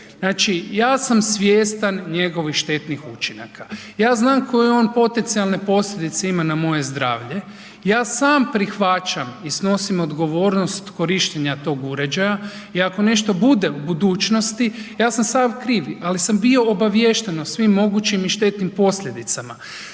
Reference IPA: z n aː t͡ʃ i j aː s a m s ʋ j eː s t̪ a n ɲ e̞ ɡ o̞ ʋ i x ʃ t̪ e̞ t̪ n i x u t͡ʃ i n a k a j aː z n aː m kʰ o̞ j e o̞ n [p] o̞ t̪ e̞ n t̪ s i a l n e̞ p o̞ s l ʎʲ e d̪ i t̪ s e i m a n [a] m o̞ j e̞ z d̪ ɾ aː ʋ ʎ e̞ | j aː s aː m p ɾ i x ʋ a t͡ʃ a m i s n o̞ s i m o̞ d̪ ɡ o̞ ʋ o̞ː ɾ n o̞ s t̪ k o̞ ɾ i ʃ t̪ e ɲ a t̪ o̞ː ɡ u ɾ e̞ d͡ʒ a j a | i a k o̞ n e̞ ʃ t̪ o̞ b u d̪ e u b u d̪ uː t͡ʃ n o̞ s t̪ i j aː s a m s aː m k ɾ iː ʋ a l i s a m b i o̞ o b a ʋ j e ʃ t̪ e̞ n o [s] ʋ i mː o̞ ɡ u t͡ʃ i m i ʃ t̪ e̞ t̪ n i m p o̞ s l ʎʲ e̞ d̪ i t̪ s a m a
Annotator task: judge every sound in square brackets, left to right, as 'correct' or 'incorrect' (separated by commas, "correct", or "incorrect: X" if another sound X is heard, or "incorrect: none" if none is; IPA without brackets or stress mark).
correct, correct, correct